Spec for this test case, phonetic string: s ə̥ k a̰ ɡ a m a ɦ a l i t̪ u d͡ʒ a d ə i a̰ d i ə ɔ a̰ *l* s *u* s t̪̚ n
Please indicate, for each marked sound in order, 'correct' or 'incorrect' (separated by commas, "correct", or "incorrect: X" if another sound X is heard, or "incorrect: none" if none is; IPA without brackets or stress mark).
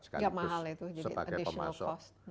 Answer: correct, incorrect: ɔ